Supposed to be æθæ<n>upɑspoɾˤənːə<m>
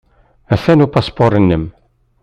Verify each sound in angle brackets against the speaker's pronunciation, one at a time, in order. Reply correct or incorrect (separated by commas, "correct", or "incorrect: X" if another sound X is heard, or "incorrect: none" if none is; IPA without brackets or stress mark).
correct, correct